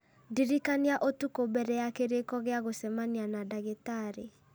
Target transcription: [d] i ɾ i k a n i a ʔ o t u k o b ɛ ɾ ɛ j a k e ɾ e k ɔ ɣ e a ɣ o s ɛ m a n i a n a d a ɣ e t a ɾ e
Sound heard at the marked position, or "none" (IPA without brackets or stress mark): d